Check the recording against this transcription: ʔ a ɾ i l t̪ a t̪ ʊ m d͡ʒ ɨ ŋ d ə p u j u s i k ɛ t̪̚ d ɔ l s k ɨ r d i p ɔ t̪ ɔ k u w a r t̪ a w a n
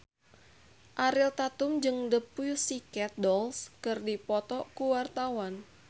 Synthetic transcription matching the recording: ʔ a ɾ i l t̪ a t̪ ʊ m d͡ʒ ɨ ŋ d ə p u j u s i k ɛ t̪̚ d ɔ l s k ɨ r d i p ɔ t̪ ɔ k u w a r t̪ a w a n

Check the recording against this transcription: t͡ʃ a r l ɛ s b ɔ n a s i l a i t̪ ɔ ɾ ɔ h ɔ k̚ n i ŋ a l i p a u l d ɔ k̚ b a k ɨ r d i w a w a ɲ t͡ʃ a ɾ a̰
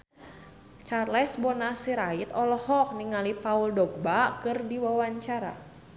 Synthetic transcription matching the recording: t͡ʃ a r l ɛ s b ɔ n a s i ɾ a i t̪ ɔ l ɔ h ɔ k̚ n i ŋ a l i p a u l d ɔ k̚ b a k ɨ r d i w a w a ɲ t͡ʃ a ɾ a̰

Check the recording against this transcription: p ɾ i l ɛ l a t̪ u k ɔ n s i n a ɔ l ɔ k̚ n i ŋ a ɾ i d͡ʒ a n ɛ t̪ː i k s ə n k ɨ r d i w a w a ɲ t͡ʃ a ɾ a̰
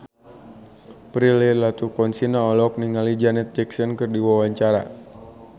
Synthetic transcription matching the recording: p ɾ i l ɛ l a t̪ u k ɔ n s i n a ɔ l ɔ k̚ n i ŋ a l i d͡ʒ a n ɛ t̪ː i k s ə n k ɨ r d i w a w a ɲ t͡ʃ a ɾ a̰

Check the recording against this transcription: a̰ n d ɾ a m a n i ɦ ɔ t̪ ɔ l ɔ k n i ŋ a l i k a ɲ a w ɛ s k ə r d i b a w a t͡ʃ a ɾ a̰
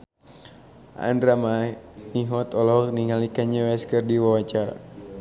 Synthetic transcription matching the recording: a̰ n d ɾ a m a n i ɦ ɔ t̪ ɔ l ɔ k n i ŋ a l i k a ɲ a w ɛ s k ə r d i w a w a t͡ʃ a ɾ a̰

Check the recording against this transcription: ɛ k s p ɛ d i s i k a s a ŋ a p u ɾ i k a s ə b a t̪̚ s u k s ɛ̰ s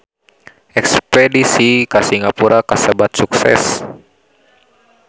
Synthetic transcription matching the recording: ɛ k s p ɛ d i s i k a s i ŋ a p u ɾ a k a s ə b a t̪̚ s u k s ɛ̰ s

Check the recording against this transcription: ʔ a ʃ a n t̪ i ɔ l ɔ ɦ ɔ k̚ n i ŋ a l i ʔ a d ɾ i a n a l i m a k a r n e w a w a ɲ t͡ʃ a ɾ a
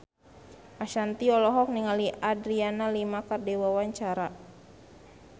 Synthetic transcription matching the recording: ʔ a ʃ a n t̪ i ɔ l ɔ ɦ ɔ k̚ n i ŋ a l i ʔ a d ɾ i a n a l i m a k a r d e w a w a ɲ t͡ʃ a ɾ a

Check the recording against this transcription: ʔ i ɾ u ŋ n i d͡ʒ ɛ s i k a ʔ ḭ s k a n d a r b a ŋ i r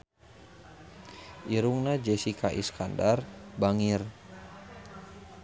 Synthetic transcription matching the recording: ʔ i ɾ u ŋ n a d͡ʒ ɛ s i k a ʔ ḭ s k a n d a r b a ŋ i r

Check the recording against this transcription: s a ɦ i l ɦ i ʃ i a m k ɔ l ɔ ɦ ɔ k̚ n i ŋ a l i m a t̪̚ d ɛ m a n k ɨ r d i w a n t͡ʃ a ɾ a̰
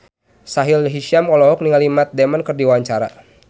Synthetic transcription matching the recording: s a ɦ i l ɦ i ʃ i a m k ɔ l ɔ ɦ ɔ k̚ n i ŋ a l i m a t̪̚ d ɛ m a n k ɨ r d i w a ɲ t͡ʃ a ɾ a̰

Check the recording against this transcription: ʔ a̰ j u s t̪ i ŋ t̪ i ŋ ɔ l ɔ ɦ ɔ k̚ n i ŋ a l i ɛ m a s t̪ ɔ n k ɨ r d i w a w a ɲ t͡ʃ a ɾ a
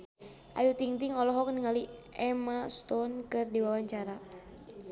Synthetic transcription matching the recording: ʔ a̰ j u t̪ i ŋ t̪ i ŋ ɔ l ɔ ɦ ɔ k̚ n i ŋ a l i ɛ m a s t̪ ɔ n k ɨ r d i w a w a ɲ t͡ʃ a ɾ a

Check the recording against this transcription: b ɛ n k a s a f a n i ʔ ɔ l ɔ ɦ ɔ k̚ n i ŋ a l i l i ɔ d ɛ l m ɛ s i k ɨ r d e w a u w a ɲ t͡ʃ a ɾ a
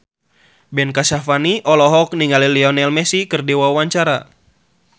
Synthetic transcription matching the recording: b ɛ n k a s a f a n i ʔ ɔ l ɔ ɦ ɔ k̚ n i ŋ a l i l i ɔ n ɛ l m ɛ s i k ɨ r d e w a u w a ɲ t͡ʃ a ɾ a

